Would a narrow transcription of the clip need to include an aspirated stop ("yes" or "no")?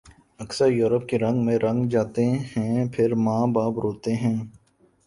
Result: yes